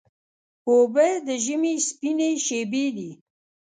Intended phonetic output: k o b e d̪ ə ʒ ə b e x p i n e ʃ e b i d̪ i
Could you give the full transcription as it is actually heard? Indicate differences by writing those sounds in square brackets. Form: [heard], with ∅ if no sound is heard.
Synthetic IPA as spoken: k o b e d̪ ə ʒ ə [m] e [s] p i n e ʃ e b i d̪ i

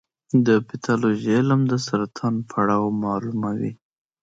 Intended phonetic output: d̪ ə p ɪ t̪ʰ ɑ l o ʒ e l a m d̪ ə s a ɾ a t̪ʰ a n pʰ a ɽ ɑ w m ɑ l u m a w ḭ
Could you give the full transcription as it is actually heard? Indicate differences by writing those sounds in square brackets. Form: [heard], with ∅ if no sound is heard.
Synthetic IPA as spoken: d̪ ə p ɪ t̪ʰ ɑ l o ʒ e l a m d̪ ə s a ɾ a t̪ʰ [ɑ] n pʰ a ɽ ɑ w m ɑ l u m a w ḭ

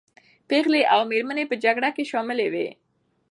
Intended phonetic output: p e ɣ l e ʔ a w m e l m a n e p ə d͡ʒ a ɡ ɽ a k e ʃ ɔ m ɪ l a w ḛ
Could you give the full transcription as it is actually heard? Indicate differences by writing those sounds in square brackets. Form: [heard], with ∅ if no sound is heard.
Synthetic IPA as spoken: p e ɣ l e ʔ a w m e [ɾ] m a n e p ə d͡ʒ a ɡ ɽ a k e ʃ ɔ m ɪ l [e] w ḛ

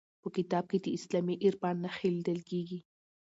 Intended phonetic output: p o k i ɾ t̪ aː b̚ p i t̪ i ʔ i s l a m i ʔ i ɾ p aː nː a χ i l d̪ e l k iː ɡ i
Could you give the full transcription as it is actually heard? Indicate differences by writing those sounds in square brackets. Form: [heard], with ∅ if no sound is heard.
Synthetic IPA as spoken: p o k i [∅] t̪ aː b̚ [k] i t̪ i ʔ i s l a m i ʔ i ɾ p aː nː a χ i l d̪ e l k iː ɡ i

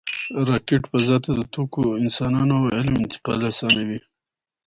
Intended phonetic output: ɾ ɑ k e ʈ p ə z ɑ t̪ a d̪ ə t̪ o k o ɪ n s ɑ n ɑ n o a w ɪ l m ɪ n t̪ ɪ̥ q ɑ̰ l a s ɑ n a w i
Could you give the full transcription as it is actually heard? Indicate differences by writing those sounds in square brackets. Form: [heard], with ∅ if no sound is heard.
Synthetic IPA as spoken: ɾ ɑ k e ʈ p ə z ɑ t̪ a d̪ ə t̪ o k o ɪ n s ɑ n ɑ n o a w ɪ l m ɪ n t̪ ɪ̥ q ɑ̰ l a s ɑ n a w i

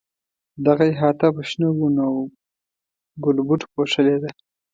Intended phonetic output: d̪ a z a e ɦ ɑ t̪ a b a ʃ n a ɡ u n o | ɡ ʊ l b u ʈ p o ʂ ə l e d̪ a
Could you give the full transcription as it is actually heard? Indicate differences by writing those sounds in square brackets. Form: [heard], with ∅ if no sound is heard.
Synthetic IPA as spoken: d̪ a [ɣ] a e ɦ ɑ t̪ a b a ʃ n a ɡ u n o | ɡ ʊ l b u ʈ p o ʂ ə l e d̪ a

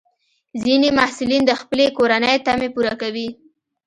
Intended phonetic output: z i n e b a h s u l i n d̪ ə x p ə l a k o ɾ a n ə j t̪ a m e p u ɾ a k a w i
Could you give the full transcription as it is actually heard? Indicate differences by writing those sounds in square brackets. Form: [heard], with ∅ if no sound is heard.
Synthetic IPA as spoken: z i n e [m] a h s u l i n d̪ ə x p ə l [e] k o ɾ a n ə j t̪ a m e p u ɾ a k a w i

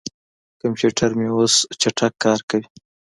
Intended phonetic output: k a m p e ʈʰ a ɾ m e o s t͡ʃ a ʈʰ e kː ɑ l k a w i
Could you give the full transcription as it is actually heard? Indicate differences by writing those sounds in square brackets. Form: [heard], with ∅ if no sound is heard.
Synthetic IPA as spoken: k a m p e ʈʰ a ɾ m e o s t͡ʃ a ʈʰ [a] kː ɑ [ɾ] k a w i

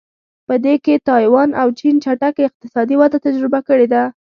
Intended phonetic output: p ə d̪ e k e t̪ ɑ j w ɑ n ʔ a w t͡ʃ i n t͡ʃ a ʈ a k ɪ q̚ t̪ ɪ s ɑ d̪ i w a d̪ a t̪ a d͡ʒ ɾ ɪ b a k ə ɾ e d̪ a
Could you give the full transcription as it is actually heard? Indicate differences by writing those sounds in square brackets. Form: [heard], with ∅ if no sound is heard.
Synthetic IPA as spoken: p ə d̪ e k e t̪ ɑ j w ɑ n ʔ a w t͡ʃ i n t͡ʃ a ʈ a k ɪ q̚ t̪ ɪ s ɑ d̪ i w a d̪ a t̪ a d͡ʒ ɾ ɪ b a k ə [ɽ] e d̪ a

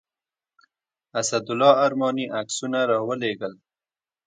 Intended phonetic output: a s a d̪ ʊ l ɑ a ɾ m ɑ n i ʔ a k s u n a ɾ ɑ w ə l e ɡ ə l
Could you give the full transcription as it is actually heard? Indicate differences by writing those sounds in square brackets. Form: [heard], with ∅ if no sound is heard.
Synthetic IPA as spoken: a s a d̪ ʊ l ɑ a ɾ m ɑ n i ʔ a k s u n a ɾ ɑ w ə l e ɡ ə l

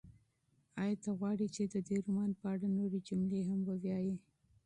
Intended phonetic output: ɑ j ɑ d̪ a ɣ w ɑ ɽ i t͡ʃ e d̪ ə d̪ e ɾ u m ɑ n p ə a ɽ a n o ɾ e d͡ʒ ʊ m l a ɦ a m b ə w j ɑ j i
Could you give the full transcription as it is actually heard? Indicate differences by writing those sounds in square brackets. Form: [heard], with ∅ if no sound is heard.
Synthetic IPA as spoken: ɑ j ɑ [t̪] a ɣ w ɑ ɽ i t͡ʃ e d̪ ə d̪ e ɾ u m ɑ n p ə a ɽ a n o ɾ e d͡ʒ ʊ m l [e] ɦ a m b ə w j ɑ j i

